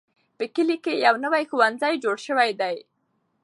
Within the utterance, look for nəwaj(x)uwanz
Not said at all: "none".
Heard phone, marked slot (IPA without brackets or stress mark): x